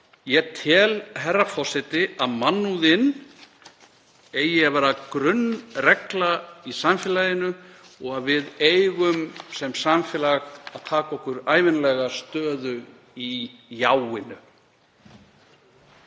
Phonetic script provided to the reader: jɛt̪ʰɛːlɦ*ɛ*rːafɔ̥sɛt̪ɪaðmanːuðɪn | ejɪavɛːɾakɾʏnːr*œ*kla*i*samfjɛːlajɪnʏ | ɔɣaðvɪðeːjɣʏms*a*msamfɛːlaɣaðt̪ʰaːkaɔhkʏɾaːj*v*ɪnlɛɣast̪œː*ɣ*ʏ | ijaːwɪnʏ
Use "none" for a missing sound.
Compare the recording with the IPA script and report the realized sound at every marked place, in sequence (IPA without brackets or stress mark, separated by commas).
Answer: ɛ, ɛ, i, ɛ, v, ð